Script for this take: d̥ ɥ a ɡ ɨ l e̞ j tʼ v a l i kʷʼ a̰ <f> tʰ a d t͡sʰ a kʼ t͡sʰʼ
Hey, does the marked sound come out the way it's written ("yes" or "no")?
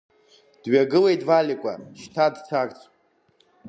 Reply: no